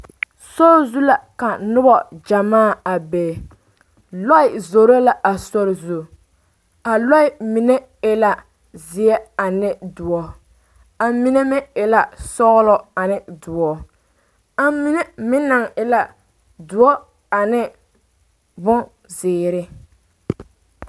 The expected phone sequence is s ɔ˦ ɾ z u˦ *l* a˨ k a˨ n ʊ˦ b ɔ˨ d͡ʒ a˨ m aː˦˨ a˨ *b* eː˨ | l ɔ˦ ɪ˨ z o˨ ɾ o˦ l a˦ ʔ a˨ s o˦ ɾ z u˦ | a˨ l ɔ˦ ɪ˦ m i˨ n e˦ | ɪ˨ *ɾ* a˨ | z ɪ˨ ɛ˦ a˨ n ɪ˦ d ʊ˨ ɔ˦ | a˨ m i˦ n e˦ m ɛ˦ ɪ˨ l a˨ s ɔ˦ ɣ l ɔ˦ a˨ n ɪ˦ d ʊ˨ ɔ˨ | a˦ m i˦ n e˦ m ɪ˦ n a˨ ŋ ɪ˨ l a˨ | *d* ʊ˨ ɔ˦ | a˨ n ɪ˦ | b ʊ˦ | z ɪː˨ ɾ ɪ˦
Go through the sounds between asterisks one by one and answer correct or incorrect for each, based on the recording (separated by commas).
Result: correct, correct, incorrect, correct